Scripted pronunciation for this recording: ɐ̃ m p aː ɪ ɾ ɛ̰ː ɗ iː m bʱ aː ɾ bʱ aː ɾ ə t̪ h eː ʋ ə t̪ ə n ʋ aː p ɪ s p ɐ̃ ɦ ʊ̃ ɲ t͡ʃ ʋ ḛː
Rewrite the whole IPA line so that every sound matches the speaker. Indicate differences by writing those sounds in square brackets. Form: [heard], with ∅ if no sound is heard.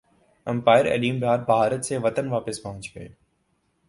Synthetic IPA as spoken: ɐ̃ m p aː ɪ ɾ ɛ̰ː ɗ iː m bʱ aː ɾ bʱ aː ɾ ə t̪ [s] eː ʋ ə t̪ ə n ʋ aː p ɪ s p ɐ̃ ɦ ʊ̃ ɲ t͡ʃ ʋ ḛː